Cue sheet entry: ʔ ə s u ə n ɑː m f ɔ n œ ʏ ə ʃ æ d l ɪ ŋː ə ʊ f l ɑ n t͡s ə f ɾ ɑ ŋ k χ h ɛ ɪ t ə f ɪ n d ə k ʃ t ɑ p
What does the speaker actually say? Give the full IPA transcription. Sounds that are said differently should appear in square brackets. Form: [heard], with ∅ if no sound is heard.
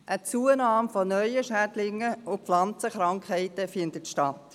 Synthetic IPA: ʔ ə [t͡s] u ə n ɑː m f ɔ n œ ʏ ə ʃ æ d l ɪ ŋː ə ʊ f l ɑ n t͡s ə [χ] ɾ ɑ ŋ k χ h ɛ ɪ t ə f ɪ n d ə [t] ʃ t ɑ [t]